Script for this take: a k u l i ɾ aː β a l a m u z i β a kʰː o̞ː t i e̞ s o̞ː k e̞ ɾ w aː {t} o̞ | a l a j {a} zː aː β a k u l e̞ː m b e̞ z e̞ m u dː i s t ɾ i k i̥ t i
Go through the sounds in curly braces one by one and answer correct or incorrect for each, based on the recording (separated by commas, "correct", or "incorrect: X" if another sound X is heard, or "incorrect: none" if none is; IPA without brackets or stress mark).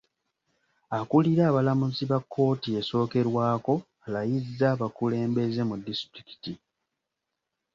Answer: incorrect: k, incorrect: i